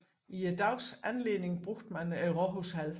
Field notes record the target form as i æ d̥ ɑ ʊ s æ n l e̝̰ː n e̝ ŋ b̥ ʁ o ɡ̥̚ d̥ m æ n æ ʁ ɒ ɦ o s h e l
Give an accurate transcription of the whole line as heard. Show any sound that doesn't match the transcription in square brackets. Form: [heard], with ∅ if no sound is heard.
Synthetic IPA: i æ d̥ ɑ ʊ s æ n l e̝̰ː n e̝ ŋ b̥ ʁ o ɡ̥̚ d̥ m æ n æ ʁ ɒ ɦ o s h [æ] l